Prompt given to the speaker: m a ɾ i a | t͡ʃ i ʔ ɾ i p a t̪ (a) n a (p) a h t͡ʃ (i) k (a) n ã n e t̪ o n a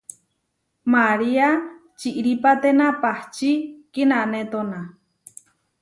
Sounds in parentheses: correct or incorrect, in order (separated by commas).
incorrect, correct, correct, incorrect